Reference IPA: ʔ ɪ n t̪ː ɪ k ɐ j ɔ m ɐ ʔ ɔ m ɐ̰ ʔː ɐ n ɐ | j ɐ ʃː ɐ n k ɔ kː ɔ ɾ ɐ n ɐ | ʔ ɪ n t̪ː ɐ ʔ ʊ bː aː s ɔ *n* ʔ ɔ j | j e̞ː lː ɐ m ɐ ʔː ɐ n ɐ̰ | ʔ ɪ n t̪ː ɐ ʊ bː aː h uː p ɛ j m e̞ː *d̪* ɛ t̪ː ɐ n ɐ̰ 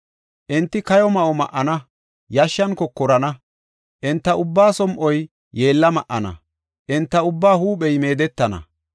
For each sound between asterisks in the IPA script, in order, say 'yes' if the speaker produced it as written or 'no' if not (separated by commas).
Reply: no, yes